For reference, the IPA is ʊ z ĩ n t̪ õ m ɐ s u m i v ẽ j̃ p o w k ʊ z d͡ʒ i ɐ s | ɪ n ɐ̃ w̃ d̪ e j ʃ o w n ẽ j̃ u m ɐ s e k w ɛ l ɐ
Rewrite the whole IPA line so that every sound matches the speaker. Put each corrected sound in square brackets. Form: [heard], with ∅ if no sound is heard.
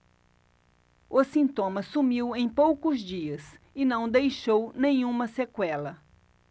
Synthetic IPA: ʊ [s] ĩ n t̪ õ m ɐ s u m i [w] ẽ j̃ p o w k ʊ z d͡ʒ i ɐ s | ɪ n ɐ̃ w̃ d̪ e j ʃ o w n ẽ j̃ [ũ] m ɐ s e k w ɛ l ɐ